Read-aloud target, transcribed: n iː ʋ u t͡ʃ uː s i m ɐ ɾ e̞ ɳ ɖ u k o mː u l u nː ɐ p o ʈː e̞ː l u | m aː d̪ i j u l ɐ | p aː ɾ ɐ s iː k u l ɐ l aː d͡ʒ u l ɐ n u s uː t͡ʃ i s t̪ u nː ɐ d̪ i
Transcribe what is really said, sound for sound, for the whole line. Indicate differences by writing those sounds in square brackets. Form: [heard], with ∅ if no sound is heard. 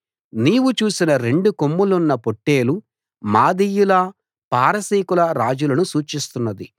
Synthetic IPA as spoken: n iː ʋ u t͡ʃ uː s i [n] ɐ ɾ e̞ ɳ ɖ u k o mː u l u nː ɐ p o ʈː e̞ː l u | m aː d̪ i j u l ɐ | p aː ɾ ɐ s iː k u l ɐ [ɾ] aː d͡ʒ u l ɐ n u s uː t͡ʃ i s t̪ u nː ɐ d̪ i